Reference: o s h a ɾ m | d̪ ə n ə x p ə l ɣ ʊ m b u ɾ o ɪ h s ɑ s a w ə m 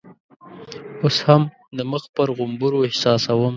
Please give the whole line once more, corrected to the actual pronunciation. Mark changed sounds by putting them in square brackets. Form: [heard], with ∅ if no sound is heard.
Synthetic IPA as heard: o s h a [∅] m | d̪ ə [m] ə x p ə [ɾ] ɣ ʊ m b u ɾ o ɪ h s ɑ s a w ə m